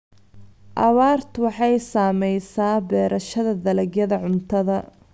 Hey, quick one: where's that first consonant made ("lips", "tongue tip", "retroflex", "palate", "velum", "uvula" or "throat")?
throat